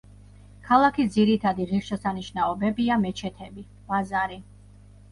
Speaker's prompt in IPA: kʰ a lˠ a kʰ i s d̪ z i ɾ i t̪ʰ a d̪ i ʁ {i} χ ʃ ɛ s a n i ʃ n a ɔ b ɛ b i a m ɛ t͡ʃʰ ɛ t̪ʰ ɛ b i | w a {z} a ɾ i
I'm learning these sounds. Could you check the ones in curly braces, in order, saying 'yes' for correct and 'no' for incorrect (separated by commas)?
yes, yes